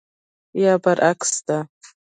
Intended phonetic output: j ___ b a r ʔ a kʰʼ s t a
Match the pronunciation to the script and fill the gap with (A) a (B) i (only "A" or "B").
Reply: A